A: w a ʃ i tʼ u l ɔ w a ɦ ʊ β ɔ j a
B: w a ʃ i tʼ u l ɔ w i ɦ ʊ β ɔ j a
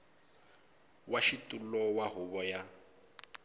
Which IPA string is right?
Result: A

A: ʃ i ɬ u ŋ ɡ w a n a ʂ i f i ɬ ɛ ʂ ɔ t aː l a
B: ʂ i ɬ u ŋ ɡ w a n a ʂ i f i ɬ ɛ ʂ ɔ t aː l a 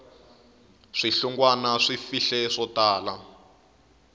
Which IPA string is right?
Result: B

